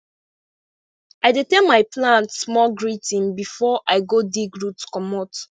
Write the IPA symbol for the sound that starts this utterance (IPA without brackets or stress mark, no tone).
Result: a